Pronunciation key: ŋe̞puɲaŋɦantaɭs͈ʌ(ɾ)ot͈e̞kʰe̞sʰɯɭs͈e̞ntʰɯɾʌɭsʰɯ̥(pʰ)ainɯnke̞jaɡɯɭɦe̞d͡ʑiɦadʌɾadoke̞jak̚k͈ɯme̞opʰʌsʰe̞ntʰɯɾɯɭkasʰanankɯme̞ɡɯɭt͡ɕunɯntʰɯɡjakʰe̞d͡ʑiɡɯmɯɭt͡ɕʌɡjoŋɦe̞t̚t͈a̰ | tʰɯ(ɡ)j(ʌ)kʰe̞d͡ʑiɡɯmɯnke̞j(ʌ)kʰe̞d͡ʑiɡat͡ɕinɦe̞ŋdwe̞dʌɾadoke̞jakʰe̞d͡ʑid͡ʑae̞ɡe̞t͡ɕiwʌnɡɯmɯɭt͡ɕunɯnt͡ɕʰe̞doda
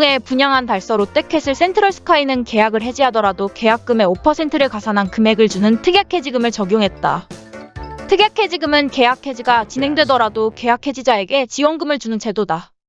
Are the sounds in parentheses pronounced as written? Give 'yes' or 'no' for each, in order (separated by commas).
yes, no, yes, no, no